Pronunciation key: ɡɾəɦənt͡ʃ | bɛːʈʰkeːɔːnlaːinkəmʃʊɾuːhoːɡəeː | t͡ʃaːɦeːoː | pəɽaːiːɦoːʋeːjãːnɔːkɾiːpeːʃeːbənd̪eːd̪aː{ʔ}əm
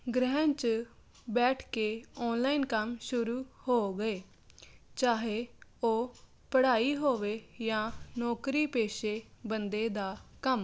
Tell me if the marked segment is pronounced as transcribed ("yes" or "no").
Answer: no